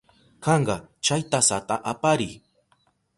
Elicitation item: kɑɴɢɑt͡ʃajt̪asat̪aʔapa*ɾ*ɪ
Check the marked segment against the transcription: correct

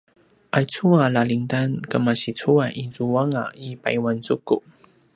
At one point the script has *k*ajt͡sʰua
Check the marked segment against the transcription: incorrect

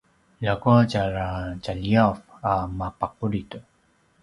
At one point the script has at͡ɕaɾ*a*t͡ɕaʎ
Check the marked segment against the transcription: correct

